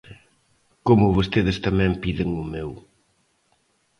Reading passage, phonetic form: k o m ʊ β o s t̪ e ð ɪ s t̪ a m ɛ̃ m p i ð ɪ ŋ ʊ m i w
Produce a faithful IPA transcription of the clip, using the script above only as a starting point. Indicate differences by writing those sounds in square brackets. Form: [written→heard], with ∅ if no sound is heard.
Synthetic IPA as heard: k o m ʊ β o s t̪ e ð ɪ s t̪ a m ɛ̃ m p i ð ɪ ŋ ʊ m [i→e] w